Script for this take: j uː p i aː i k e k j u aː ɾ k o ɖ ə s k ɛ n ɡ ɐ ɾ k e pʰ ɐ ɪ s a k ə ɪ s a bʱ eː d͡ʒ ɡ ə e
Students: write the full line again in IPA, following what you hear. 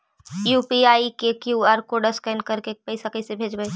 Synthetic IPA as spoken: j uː p i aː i k e k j u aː ɾ k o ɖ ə s k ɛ n k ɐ ɾ k e p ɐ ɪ s a k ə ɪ s e bʱ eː d͡ʒ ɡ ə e